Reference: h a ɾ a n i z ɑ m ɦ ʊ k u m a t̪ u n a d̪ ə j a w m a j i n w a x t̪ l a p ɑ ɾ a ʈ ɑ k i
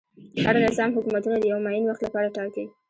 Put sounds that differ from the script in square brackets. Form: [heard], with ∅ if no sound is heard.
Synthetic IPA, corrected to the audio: h a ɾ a n [ɪ] z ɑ m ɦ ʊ k u m a t̪ u n a d̪ ə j a w m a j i n w a x t̪ l a p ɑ ɾ a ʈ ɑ k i